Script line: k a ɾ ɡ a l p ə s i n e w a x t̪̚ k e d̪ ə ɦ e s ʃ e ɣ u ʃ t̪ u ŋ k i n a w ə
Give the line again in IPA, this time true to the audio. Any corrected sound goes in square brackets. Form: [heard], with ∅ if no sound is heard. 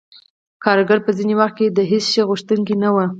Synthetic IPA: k [ɑ] ɾ ɡ a [ɾ] p ə [z] i n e w a x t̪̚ k e d̪ ə ɦ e s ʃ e ɣ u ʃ t̪ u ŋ k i n a w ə

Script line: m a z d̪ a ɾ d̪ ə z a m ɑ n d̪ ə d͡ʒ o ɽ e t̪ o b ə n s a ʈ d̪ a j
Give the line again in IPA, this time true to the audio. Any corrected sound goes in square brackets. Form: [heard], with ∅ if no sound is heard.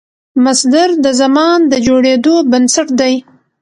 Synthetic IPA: m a [s] d̪ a ɾ d̪ ə z a m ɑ n d̪ ə d͡ʒ o ɽ e [d̪] o b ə n s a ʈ d̪ a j

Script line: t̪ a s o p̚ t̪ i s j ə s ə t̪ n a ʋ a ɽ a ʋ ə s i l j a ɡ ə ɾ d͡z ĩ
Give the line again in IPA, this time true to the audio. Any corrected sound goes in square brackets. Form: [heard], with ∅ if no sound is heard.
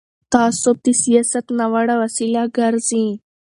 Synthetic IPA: t̪ a s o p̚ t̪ i s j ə s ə t̪ n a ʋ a ɽ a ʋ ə s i l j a ɡ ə ɾ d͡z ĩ

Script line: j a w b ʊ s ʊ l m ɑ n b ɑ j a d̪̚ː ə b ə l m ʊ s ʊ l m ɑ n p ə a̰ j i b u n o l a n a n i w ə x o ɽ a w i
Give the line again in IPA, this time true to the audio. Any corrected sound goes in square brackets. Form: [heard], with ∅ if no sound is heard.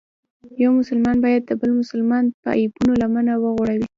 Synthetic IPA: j a w [m] ʊ s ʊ l m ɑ n b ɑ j a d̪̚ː ə b ə l m ʊ s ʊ l m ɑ n p ə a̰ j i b u n o l a [m] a n [a] w ə [ɣ] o ɽ a w i

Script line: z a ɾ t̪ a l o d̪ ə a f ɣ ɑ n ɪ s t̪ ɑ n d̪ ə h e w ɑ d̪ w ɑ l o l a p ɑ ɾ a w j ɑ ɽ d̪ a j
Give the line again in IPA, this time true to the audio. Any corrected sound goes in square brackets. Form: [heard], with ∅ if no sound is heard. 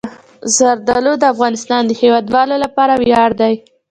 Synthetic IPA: z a ɾ [d̪] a l o d̪ ə a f ɣ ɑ n ɪ s t̪ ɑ n d̪ ə h e w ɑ d̪ w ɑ l o l a p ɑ ɾ a w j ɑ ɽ d̪ a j

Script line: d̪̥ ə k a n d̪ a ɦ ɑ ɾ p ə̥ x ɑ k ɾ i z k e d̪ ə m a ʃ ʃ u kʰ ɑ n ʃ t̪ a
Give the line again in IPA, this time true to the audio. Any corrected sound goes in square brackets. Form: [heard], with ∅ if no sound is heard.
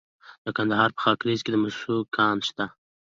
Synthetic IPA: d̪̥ ə k a n d̪ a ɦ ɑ ɾ p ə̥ x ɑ k ɾ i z k e d̪ ə m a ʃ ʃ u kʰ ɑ n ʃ t̪ a

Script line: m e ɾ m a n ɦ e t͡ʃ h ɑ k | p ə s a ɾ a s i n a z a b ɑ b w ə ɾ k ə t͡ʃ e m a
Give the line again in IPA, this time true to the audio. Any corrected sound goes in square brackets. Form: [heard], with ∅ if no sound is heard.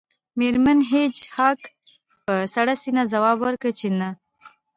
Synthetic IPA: m e ɾ m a n ɦ e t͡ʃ h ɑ k | p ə s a [ɽ] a s i n a z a [w] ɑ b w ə ɾ k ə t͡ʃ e [n] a

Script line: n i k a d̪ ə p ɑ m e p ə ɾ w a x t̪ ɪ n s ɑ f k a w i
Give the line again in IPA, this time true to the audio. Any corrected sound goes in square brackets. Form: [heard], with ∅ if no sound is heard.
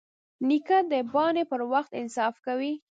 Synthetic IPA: n i k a d̪ ə [b] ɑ [n] e p ə ɾ w a x t̪ ɪ n s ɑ f k a w i

